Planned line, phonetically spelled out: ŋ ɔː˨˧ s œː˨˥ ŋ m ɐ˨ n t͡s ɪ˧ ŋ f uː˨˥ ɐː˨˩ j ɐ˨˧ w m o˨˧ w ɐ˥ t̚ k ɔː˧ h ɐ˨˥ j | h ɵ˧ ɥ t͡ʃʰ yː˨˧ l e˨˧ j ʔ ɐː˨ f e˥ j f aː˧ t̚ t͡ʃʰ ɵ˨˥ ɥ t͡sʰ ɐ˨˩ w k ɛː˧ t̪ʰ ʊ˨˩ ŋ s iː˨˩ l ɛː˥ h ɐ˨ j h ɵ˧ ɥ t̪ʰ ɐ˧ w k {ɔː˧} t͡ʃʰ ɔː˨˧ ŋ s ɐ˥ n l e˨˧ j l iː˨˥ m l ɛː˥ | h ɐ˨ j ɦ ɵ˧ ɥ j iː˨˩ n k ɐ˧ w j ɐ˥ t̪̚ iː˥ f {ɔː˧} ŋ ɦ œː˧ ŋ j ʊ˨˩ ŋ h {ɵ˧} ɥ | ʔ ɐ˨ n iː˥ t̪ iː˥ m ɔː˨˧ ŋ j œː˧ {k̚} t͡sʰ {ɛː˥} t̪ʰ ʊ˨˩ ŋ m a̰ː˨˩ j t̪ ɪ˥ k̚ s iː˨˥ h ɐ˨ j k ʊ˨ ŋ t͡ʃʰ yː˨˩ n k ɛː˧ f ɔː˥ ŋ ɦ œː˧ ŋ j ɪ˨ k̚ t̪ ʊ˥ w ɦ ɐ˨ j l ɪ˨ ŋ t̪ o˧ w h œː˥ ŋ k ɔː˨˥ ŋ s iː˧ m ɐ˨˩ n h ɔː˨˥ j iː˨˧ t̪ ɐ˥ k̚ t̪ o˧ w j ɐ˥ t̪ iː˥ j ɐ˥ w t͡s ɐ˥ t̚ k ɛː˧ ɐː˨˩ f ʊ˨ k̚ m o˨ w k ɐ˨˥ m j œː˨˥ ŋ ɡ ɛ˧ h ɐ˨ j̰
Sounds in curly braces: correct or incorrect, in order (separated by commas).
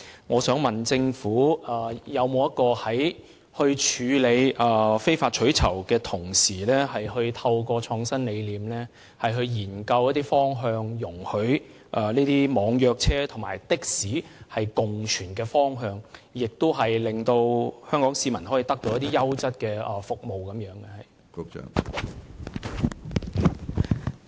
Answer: correct, incorrect, incorrect, correct, correct